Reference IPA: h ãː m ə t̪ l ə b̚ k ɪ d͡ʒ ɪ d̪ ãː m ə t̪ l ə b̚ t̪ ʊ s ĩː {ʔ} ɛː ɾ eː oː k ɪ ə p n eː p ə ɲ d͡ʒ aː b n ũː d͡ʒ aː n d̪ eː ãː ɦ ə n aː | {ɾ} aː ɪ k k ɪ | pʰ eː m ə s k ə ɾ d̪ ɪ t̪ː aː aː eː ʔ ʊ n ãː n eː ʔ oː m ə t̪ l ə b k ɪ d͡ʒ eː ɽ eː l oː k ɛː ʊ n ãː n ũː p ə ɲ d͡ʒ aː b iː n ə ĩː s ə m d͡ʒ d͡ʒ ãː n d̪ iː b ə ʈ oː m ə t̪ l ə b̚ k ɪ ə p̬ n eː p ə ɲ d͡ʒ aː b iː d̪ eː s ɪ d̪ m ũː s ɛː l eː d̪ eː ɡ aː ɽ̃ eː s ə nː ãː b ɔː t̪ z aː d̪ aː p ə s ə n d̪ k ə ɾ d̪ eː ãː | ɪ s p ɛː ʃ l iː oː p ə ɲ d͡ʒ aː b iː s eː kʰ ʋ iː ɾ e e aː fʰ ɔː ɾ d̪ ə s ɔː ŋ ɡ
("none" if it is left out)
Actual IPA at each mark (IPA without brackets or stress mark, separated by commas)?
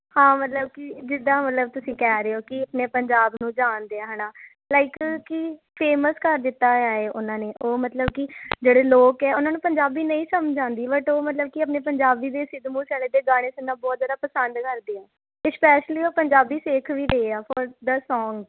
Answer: k, l